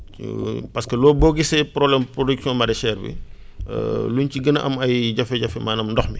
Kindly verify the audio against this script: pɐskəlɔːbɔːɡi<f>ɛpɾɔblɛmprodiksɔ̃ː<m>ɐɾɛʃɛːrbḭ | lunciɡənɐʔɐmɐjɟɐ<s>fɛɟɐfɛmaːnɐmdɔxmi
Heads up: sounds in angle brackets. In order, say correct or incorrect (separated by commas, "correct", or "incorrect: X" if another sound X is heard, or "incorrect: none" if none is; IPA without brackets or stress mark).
incorrect: s, correct, incorrect: none